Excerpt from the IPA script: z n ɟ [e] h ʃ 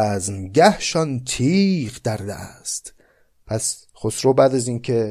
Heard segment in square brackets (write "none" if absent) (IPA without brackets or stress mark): æ